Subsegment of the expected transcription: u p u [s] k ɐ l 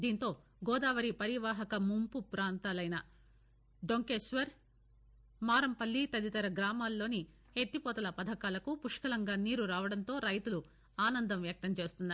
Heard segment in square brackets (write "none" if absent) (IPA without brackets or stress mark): ʂ